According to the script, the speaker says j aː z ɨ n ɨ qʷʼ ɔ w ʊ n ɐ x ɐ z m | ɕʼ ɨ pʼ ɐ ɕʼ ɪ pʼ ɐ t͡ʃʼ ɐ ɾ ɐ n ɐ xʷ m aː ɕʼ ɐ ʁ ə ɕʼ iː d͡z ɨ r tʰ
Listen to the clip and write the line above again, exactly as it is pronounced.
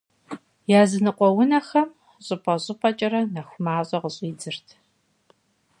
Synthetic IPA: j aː z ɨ n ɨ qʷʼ ɔ w ʊ n ɐ x ɐ m | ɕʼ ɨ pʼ ɐ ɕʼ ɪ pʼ ɐ t͡ʃʼ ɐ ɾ ɐ n ɐ xʷ m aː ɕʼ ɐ ʁ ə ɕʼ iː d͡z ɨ r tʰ

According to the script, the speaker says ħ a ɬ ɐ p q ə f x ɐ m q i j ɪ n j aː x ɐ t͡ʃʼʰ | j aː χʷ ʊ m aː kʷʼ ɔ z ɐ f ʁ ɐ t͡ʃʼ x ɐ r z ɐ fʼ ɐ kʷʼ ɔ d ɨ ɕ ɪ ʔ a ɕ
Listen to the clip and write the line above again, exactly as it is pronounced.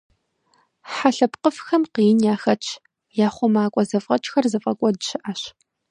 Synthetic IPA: ħ a ɬ ɐ p q ə f x ɐ m q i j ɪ n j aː x ɐ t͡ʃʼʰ | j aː χʷ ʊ m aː kʷʼ ɔ z ɐ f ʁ ɐ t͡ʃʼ x ɐ r z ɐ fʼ ɐ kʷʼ ɔ d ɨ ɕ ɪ ʔ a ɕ

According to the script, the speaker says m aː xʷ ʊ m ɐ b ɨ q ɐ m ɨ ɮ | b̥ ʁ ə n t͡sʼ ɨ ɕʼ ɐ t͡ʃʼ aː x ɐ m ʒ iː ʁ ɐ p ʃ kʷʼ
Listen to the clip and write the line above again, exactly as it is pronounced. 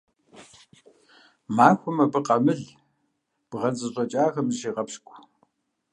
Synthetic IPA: m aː xʷ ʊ m ɐ b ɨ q ɐ m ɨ ɮ | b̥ ʁ ɐ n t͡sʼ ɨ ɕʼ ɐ t͡ʃʼ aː x ɐ m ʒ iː ʁ ɐ p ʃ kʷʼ

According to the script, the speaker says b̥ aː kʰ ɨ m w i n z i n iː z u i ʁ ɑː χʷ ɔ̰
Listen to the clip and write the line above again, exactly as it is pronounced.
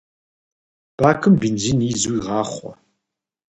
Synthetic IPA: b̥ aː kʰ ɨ m b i n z i n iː z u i ʁ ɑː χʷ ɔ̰

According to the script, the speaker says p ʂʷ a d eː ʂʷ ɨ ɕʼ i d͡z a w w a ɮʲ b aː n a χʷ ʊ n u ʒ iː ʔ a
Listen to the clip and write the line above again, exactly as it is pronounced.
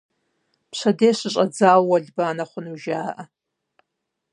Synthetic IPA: p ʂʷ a d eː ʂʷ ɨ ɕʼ a d͡z a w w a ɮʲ b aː n a χʷ ʊ n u ʒ aː ʔ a

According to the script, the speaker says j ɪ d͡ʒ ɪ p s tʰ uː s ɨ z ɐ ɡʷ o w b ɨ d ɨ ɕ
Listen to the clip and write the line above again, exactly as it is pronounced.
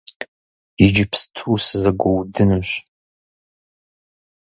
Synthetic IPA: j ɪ d͡ʒ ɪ p s tʰ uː s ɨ z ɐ ɡʷ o w d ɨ n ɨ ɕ

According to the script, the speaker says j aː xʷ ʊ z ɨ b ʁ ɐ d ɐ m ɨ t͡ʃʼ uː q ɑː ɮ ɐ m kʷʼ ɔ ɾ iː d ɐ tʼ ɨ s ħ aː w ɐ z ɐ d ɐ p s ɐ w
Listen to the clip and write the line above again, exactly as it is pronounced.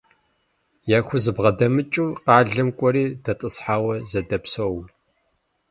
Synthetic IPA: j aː xʷ ʊ z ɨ b ʁ ɐ d ɐ m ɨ t͡ʃʼ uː q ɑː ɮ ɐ m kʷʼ ɔ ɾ iː d ɐ tʼ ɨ s ħ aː w ɐ z ɐ d ɐ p s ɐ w

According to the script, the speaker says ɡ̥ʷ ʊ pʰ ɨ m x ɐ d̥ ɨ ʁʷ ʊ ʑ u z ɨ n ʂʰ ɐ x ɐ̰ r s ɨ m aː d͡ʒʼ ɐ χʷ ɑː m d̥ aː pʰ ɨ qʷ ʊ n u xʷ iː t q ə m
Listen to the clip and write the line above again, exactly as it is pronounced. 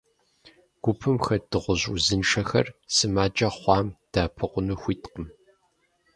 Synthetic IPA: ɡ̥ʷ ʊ pʰ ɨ m x ɐ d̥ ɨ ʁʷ ʊ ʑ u z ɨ n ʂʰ ɐ x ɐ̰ r s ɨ m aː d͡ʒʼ ɐ χʷ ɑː m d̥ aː pʰ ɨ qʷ ʊ n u xʷ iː t q ə m

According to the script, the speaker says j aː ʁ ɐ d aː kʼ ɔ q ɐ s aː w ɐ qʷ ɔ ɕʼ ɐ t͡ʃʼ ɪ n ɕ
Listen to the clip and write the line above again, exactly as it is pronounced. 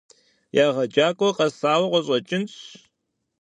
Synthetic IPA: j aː ʁ ɐ d͡ʒ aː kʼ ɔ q ɐ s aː w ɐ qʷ ɔ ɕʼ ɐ t͡ʃʼ ɪ n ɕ

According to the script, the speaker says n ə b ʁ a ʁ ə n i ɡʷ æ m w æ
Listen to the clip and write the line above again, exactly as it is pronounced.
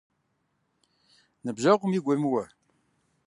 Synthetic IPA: n ə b ʒ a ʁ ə m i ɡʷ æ m w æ

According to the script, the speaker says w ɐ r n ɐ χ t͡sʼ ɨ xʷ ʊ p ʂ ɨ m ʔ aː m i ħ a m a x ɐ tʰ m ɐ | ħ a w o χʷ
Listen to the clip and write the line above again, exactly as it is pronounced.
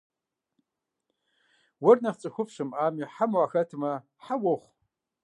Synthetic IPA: w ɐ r n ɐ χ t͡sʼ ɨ xʷ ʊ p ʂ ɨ m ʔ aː m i ħ a m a x ɐ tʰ m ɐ | ħ a w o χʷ

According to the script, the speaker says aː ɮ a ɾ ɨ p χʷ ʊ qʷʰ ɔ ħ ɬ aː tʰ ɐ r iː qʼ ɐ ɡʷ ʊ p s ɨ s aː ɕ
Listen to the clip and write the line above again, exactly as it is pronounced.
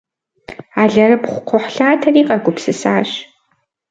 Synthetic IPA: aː ɮ ɐ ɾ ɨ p χʷ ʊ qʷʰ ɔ ħ ɬ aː tʰ ɐ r iː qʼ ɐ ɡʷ ʊ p s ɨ s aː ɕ

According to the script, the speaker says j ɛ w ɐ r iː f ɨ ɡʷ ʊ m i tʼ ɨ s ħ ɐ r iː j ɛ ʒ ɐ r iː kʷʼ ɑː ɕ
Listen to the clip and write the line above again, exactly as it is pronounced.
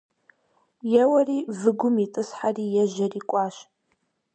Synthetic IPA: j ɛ w ɐ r iː v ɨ ɡʷ ʊ m i tʼ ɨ s ħ a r iː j ɛ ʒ ɐ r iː kʷʼ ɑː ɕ

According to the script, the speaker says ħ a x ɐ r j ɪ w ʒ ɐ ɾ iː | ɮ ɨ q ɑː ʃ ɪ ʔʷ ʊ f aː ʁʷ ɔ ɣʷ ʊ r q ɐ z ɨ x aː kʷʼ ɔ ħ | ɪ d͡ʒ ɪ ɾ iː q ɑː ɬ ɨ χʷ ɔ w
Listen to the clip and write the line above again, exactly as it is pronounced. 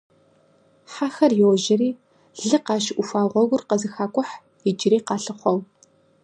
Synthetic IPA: ħ a x ɐ r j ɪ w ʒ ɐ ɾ iː | ɮ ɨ q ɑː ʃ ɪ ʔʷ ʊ f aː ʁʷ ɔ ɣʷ ʊ r q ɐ z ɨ x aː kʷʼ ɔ ħ | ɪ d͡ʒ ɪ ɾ iː q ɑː ɬ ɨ χʷ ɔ w

